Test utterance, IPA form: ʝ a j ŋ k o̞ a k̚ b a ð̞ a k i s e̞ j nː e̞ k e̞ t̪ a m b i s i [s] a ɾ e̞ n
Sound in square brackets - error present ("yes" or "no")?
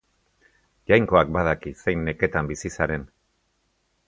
no